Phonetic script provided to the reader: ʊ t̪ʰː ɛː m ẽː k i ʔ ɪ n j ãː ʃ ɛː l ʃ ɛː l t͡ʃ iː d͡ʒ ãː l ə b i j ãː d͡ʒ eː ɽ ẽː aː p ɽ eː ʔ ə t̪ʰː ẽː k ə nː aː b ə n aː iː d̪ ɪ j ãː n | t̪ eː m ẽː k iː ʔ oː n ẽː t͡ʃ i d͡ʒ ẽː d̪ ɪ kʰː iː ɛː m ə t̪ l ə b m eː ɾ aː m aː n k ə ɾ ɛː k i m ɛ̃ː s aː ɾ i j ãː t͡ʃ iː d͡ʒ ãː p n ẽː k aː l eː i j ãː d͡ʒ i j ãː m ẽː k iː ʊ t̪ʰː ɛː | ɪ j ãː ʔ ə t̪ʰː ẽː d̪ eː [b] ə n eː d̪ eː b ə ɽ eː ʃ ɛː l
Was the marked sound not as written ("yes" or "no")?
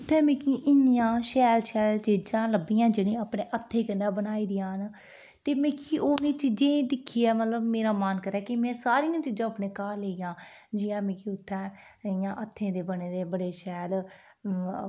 no